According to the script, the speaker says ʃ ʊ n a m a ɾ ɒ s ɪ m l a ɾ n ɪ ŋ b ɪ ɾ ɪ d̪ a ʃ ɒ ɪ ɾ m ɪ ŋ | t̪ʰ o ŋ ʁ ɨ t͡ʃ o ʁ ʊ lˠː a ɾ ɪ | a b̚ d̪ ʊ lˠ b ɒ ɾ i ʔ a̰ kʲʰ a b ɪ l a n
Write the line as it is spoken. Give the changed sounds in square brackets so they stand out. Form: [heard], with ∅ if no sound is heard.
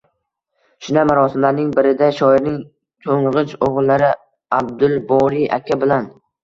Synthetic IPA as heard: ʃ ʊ n a m a ɾ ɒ s ɪ m l a ɾ n ɪ ŋ b ɪ ɾ ɪ d̪ a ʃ ɒ ɪ ɾ [n] ɪ ŋ | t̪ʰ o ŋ ʁ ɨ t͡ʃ o ʁ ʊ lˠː a ɾ ɪ | a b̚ d̪ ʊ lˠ b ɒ ɾ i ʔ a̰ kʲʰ a b ɪ l a n